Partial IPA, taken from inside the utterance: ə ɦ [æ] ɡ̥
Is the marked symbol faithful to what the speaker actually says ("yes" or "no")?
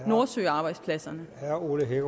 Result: no